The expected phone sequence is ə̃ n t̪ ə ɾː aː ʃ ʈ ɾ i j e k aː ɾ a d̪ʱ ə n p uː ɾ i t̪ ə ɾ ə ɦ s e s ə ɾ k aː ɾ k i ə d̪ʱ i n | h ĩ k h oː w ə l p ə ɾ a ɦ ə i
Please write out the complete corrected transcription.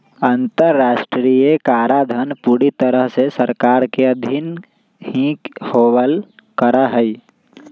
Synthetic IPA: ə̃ n t̪ ə ɾː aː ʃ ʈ ɾ i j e k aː ɾ a d̪ʱ ə n p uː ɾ i t̪ ə ɾ ə ɦ s e s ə ɾ k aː ɾ k e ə d̪ʱ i n | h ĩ k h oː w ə l k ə ɾ a ɦ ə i